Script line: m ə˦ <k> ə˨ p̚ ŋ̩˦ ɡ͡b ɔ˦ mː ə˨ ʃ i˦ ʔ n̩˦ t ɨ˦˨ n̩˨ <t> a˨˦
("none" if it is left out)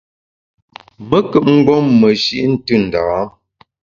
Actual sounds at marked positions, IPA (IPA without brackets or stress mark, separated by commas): k, d